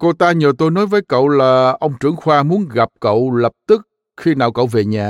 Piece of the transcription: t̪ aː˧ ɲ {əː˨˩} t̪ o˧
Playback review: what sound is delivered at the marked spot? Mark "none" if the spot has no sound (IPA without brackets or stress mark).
əː˨˩